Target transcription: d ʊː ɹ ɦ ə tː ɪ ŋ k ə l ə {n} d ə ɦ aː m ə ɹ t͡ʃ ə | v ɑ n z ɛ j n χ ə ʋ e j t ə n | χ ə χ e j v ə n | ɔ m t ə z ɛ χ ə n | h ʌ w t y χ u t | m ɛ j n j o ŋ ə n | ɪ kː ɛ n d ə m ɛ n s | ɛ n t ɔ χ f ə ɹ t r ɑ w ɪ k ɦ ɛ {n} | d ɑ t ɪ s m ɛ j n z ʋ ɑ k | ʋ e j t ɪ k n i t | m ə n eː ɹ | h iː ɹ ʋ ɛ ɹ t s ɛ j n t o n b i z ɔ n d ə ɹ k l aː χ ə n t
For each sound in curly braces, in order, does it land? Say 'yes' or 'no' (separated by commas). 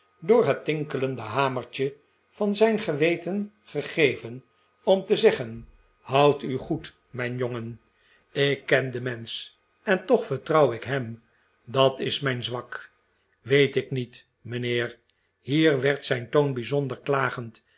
yes, no